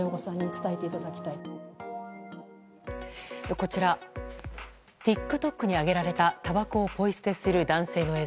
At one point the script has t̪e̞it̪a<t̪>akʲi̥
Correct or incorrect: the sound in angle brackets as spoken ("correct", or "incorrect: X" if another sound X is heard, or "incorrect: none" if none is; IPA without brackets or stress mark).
incorrect: d̪